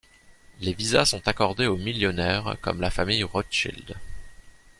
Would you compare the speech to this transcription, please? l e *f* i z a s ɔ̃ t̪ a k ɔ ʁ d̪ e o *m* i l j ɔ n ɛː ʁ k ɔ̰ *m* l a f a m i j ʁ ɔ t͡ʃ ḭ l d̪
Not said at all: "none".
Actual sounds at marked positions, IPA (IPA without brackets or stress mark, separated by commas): v, m, m